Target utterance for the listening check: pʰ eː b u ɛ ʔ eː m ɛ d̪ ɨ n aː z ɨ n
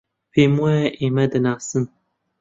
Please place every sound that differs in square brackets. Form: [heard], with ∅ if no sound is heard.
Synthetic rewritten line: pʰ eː [m] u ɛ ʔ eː m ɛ d̪ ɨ n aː [s] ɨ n